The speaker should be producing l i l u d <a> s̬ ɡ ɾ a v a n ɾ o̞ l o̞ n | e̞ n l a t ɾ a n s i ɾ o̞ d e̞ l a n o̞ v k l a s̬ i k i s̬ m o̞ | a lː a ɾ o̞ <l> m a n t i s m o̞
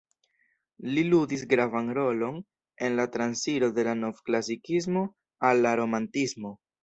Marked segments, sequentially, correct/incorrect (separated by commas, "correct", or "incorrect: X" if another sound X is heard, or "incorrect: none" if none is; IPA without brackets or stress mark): incorrect: i, incorrect: none